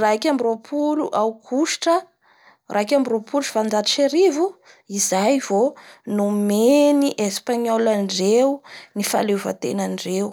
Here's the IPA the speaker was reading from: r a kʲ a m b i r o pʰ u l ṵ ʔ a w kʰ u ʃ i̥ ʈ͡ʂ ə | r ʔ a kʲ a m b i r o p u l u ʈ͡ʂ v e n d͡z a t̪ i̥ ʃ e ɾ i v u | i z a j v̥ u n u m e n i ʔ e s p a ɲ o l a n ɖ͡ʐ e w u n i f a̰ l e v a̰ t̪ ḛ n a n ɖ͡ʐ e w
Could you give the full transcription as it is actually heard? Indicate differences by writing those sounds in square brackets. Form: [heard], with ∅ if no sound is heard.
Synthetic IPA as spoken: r a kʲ a m b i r o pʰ u l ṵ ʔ a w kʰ u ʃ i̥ ʈ͡ʂ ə | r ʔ a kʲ a m b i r o p u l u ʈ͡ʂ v [a] n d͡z a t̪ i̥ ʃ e ɾ i v u | i z a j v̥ [o] n u m e n i ʔ e s p a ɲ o l a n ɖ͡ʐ e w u n i f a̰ l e v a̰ t̪ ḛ n a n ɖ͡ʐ e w

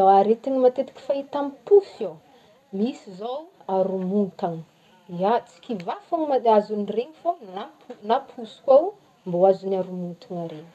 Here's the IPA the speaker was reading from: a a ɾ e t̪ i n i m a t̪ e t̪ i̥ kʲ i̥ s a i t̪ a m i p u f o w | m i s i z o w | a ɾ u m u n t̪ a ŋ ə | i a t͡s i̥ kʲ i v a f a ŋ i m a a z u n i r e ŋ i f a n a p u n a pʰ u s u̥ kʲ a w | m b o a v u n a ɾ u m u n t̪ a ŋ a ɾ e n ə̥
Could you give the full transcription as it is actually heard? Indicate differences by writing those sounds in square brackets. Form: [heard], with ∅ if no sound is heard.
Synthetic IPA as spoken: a a ɾ e t̪ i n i m a t̪ e t̪ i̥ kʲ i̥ [f] a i t̪ a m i p u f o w | m i s i z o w | a ɾ u m u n t̪ a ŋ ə | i a t͡s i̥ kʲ i v a f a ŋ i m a a z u n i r e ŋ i f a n a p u n a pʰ u s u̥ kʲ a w | m b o a [z] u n a ɾ u m u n t̪ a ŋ a ɾ e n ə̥

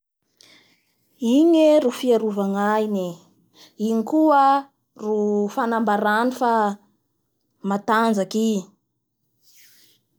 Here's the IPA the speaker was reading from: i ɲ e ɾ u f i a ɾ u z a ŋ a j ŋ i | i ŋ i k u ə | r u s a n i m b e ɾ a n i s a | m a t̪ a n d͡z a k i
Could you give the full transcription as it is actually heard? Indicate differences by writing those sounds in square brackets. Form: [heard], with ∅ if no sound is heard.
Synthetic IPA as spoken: i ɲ e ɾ u f i a ɾ u [v] a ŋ a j [n] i | i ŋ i k u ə | r u [f] a n [a] m b [a] ɾ a n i [f] a | m a t̪ a n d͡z a k i

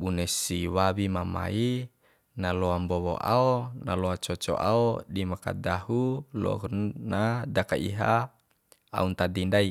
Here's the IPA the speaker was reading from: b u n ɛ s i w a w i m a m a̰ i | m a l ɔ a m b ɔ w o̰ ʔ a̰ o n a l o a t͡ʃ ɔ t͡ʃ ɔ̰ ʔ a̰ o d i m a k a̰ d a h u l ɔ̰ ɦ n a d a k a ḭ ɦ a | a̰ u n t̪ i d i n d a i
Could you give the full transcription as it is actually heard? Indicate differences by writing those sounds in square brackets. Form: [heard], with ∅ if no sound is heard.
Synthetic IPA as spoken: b u n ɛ s i w a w i m a m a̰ i | [n] a l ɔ a m b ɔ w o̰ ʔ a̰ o n a l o a t͡ʃ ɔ t͡ʃ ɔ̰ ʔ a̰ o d i m a k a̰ d a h u l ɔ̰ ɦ n a d a k a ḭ ɦ a | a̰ u n t̪ [a] d i n d a i

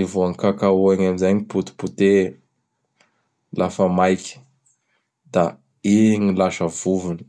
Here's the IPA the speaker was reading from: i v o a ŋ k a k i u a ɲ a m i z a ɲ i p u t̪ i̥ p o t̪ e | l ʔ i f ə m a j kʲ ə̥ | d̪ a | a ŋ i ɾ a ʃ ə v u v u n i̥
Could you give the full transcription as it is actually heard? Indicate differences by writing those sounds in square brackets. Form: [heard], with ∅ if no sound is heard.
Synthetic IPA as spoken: i v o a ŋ k a k [a] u a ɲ a m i z a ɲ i p u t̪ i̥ p [u] t̪ e | l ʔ [a] f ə m a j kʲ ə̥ | d̪ a | [i] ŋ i [l] a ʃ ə v u v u n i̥

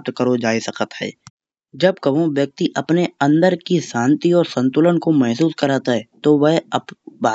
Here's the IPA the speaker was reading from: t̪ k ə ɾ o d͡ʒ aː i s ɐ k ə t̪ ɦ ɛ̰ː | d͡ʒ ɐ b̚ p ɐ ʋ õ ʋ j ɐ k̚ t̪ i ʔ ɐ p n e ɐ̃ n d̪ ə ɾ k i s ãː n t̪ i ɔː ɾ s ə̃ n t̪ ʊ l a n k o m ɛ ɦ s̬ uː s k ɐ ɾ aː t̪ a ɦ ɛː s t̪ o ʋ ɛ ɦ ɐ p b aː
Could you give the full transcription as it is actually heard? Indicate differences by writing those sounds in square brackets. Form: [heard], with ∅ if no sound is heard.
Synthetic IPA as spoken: t̪ k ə ɾ o d͡ʒ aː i s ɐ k ə t̪ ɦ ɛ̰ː | d͡ʒ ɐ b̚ [k] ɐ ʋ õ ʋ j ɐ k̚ t̪ i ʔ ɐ p n e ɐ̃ n d̪ ə ɾ k i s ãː n t̪ i ɔː ɾ s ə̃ n t̪ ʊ l [ə] n k o m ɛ ɦ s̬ uː s k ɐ ɾ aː t̪ a ɦ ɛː [∅] t̪ o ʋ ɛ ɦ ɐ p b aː

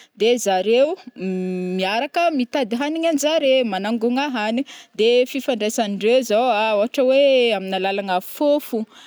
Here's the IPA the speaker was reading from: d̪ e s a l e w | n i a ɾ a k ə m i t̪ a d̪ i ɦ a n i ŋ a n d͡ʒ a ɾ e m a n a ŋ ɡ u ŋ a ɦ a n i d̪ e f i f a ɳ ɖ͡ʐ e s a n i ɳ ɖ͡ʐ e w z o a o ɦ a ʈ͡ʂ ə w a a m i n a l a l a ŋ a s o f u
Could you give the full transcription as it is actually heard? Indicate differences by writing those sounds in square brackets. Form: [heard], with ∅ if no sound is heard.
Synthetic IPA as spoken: d̪ e [z] a [ɾ] e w | [m] i a ɾ a k ə m i t̪ a d̪ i ɦ a n i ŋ a n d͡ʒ a ɾ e m a n a ŋ ɡ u ŋ a ɦ a n i d̪ e f i f a ɳ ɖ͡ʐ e s a n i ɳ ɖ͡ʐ e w z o a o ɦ a ʈ͡ʂ ə w [e] a m i n a l a l a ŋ a [f] o f u

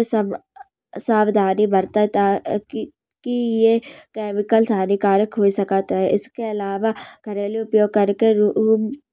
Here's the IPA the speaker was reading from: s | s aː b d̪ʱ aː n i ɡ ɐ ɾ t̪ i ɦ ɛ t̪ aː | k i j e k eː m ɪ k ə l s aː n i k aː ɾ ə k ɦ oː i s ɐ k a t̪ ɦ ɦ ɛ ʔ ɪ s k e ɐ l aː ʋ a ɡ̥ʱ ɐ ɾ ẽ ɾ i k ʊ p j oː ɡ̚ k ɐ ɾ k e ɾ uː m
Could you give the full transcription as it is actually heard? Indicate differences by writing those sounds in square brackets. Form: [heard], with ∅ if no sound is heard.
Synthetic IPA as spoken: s | s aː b d̪ʱ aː n i [b] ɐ ɾ t̪ [a] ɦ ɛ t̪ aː | k i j e k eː m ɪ k ə l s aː n i k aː ɾ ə k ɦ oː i s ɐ k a t̪ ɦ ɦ ɛ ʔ ɪ s k e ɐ l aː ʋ a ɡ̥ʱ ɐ ɾ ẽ [l] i [∅] ʊ p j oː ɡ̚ k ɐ ɾ k e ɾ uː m

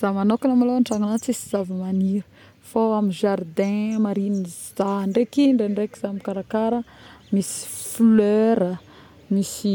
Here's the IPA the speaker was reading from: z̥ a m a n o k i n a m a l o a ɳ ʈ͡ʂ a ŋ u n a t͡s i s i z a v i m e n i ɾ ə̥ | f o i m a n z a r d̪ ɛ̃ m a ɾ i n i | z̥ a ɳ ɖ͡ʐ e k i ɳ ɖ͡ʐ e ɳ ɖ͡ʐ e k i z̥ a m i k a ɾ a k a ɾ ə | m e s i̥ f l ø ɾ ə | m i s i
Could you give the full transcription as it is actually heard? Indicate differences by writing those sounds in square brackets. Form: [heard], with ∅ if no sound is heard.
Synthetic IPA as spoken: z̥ a m a n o k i n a m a l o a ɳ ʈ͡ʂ a ŋ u n a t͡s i s i z a v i m [a] n i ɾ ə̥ | f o [a] m [i] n [ʒ] a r d̪ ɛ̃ m a ɾ i n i | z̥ a ɳ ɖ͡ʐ e k i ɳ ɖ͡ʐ e ɳ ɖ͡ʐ e k i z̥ a m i k a ɾ a k a ɾ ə | m [i] s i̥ f l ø ɾ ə | m i s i

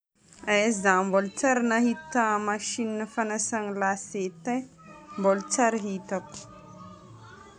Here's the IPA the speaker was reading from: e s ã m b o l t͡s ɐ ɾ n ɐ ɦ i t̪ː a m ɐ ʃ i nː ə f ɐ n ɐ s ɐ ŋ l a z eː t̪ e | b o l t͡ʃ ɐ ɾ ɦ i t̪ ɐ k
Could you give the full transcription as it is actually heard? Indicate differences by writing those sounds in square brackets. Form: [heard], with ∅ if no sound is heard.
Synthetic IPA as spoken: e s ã m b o l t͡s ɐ ɾ n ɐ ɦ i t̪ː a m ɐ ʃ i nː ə f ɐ n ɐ s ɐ ŋ l a [s] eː t̪ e | b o l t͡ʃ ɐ ɾ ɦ i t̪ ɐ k

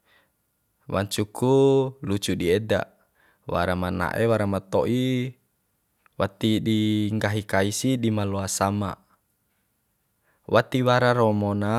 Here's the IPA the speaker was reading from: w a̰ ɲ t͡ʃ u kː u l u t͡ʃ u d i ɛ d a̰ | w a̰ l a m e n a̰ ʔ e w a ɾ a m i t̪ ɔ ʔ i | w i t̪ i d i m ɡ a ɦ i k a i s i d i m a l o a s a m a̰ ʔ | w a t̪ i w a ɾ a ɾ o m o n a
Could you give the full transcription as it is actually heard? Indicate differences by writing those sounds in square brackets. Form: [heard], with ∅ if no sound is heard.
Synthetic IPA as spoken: w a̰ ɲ t͡ʃ u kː u l u t͡ʃ u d i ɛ d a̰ | w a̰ [ɾ] a m [a] n a̰ ʔ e w a ɾ a m [a] t̪ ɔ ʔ i | w [a] t̪ i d i [ŋ] ɡ a ɦ i k a i s i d i m a l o a s a m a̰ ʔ | w a t̪ i w a ɾ a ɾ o m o n a

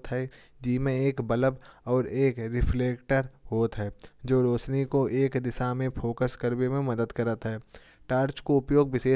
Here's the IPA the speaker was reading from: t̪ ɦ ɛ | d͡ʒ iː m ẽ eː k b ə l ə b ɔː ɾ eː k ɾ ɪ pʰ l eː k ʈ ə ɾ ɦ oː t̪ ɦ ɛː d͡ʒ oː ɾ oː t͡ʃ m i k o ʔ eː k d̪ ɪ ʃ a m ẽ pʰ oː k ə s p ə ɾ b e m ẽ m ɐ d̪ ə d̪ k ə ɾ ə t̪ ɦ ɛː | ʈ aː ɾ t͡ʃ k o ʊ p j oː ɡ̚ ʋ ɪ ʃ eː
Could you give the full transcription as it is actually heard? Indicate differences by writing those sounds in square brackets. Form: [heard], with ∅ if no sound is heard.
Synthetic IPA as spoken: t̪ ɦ ɛ | d͡ʒ iː m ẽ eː k b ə l ə b ɔː ɾ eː k ɾ ɪ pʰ l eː k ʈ ə ɾ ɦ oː t̪ ɦ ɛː d͡ʒ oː ɾ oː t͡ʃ [n] i k o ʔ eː k d̪ ɪ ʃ a m ẽ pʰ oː k ə s [k] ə ɾ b e m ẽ m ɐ d̪ ə d̪ k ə ɾ ə t̪ ɦ ɛː | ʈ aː ɾ t͡ʃ k o ʊ p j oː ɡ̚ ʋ ɪ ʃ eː

